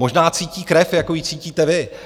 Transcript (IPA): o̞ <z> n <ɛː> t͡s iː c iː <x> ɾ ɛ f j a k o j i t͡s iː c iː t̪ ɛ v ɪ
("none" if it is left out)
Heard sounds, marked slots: ʒ, aː, k

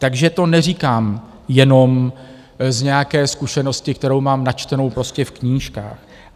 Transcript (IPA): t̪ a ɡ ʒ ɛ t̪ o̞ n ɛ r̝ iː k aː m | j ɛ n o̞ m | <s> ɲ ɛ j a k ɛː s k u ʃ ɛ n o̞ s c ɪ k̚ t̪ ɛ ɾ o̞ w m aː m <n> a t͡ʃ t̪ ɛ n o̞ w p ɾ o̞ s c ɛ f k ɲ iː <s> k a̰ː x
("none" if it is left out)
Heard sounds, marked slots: z, n, ʃ

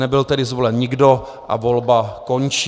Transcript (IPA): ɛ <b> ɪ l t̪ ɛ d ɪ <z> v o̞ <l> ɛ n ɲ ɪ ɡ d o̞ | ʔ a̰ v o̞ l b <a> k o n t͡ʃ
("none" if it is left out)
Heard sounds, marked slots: b, z, l, a

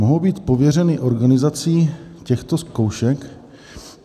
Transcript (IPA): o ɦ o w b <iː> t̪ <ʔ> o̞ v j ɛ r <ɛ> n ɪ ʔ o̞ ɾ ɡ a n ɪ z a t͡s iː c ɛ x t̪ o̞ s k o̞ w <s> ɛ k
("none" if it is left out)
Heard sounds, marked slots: iː, p, ɛ, ʃ

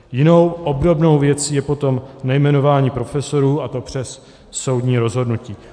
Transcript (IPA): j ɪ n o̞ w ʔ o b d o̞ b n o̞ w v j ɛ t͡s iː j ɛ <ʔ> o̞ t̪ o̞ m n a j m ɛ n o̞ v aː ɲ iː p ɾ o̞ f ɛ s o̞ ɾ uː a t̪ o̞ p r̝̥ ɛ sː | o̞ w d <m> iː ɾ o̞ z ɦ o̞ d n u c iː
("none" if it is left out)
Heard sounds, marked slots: p, ɲ

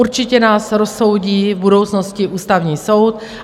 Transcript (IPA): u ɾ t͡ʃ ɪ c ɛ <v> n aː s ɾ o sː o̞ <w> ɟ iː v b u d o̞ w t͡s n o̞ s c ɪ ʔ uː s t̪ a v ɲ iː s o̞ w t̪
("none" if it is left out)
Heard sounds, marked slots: none, w

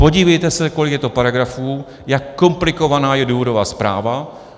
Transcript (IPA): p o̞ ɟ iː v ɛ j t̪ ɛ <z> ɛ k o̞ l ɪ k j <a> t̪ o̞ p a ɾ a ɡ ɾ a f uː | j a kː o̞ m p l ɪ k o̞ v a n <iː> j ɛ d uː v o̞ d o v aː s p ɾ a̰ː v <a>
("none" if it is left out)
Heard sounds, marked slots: s, ɛ, aː, a

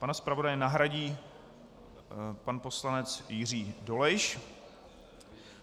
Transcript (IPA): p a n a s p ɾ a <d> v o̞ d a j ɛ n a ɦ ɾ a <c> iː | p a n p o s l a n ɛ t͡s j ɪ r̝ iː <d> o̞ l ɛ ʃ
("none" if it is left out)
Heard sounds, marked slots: none, ɟ, d

